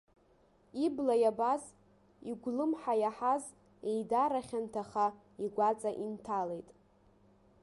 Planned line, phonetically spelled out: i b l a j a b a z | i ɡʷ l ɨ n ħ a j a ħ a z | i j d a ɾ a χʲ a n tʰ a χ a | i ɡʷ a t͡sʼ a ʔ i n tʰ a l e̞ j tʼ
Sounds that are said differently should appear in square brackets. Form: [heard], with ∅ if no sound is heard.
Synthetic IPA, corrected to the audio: i b l a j a b a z | i ɡʷ l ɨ [m] ħ a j a ħ a z | [e] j d a ɾ a χʲ a n tʰ a χ a | i ɡʷ a t͡sʼ a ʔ i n tʰ a l e̞ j tʼ

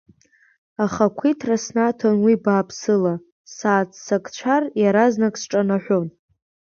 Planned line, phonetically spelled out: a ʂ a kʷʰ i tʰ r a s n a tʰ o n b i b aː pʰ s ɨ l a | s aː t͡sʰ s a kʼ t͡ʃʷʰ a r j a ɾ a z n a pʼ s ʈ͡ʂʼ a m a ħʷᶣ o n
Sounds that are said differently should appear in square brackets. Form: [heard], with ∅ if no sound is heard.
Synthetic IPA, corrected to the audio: a [χ] a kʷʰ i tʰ r a s n a tʰ o n [w] i b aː pʰ s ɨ l a | s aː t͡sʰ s a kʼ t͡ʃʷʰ a r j a ɾ a z n a [kʼ] s ʈ͡ʂʼ a [n] a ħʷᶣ o n

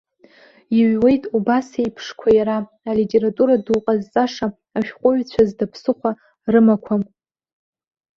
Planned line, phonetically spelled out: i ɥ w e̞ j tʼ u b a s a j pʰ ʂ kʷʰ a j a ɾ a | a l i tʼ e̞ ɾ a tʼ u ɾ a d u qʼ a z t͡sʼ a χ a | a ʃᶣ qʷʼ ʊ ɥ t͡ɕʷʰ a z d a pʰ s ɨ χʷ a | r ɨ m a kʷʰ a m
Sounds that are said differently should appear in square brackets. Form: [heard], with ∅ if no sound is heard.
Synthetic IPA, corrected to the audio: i ɥ w e̞ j tʼ u b a s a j pʰ ʂ kʷʰ a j a ɾ a | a l i tʼ e̞ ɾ a tʼ u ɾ a d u qʼ a z t͡sʼ a [ʂ] a | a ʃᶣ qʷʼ ʊ ɥ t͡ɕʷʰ a z d a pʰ s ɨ χʷ a | r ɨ m a kʷʰ a m

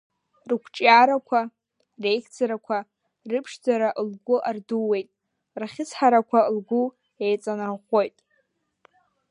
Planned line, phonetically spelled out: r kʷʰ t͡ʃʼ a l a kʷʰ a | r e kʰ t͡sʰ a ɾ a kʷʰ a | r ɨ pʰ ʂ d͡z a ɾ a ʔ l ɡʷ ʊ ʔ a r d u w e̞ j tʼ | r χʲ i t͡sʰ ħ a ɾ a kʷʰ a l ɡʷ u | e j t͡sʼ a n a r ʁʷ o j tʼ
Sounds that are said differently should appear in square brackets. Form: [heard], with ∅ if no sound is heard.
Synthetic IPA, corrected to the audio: r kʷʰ t͡ʃʼ a [ɾ] a kʷʰ a | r e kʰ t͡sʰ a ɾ a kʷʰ a | r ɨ pʰ ʂ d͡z a ɾ a ʔ l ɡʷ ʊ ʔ a r d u w e̞ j tʼ | r χʲ [ɪ] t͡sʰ ħ a ɾ a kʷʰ a l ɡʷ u | e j t͡sʼ a n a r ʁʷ o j tʼ

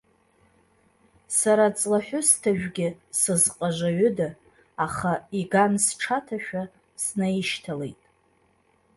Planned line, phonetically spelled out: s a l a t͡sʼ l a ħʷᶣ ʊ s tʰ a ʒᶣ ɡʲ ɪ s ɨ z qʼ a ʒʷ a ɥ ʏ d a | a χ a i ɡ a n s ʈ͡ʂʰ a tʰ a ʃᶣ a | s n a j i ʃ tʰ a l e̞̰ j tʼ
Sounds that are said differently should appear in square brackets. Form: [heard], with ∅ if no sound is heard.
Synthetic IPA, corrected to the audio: s a [ɾ] a t͡sʼ l a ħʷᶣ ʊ s tʰ a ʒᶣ ɡʲ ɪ s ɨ z qʼ a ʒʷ a ɥ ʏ d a | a χ a i ɡ a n s ʈ͡ʂʰ a tʰ a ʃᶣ a | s n a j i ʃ tʰ a l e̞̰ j tʼ

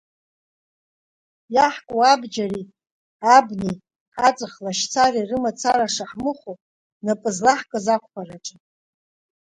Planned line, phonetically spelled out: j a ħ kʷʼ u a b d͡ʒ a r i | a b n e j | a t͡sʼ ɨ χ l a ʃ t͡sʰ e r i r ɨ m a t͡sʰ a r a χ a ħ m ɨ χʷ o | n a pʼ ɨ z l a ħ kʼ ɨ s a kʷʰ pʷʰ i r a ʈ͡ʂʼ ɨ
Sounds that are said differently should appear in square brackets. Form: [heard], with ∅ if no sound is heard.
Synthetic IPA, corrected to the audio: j a ħ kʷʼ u a b d͡ʒ a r i | a b n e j | a t͡sʼ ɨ χ l a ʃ t͡sʰ [a] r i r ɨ m a t͡sʰ a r a [ʂ] a ħ m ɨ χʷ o | n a pʼ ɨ z l a ħ kʼ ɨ [z] a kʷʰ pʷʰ [a] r a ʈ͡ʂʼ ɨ

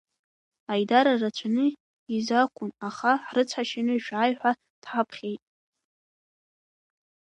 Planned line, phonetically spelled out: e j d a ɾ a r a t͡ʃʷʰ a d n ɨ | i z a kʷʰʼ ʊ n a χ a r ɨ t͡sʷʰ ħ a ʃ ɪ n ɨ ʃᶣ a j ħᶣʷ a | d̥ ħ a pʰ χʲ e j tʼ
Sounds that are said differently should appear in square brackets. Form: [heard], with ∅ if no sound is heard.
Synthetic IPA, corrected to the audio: [a] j d a ɾ a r a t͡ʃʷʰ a [∅] n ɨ | i z a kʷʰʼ ʊ n a χ a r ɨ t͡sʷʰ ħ a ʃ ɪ n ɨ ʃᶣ a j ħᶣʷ a | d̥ ħ a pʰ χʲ e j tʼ

